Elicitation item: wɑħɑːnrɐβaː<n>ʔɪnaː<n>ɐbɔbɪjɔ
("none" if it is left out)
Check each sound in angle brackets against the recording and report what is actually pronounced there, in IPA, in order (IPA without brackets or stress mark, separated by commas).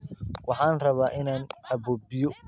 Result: none, n